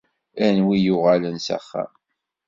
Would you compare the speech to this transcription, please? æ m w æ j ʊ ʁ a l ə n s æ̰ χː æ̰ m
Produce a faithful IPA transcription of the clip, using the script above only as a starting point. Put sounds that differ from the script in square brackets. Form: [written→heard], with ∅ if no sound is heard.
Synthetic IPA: æ [m→n] w [æ→i] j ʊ ʁ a l ə n s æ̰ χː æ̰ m